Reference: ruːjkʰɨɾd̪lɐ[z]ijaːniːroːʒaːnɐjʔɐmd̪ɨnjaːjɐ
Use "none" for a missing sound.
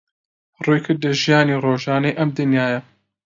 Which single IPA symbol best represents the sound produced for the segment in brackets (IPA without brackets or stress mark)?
ʒ